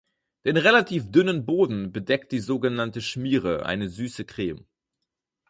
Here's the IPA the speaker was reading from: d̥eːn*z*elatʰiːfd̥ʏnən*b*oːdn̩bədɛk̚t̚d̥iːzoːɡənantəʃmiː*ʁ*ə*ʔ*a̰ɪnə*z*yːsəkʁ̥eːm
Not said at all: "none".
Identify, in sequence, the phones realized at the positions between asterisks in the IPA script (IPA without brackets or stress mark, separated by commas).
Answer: ʁ, b, ʁ, ʔ, z